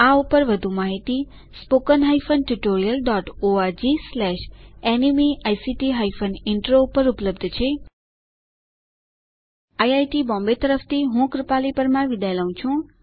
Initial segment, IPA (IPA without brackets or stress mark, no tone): a